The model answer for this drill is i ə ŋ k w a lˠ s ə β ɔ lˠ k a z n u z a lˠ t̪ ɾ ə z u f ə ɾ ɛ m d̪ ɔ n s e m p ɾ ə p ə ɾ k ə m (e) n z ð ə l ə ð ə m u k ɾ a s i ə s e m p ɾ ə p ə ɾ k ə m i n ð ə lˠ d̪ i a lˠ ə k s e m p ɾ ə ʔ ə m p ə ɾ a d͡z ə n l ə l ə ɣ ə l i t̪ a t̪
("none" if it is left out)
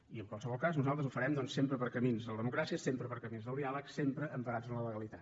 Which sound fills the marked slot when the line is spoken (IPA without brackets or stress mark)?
i